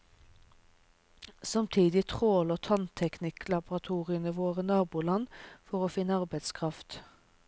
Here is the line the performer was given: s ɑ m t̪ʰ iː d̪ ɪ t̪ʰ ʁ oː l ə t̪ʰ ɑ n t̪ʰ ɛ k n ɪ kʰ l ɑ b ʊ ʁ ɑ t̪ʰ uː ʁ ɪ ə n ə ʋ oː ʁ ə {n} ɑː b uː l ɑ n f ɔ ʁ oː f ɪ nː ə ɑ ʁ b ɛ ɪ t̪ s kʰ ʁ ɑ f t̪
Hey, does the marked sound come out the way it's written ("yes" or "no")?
yes